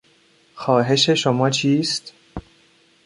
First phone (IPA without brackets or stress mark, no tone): x